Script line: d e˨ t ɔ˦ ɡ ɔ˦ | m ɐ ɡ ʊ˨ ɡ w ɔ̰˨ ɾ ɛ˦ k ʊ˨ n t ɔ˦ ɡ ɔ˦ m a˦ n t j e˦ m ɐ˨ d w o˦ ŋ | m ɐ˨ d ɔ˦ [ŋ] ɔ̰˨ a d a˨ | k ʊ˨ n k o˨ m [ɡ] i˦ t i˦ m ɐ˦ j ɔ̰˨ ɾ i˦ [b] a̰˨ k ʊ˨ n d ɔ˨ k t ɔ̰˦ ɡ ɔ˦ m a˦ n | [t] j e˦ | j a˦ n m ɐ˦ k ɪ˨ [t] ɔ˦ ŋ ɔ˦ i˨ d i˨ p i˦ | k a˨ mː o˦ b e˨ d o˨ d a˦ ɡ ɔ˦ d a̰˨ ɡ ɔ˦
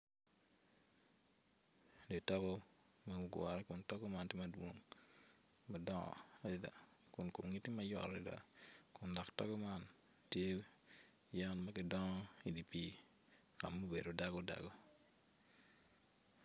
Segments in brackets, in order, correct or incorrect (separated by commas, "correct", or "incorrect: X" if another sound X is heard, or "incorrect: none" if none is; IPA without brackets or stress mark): correct, incorrect: ŋ, incorrect: d, correct, incorrect: d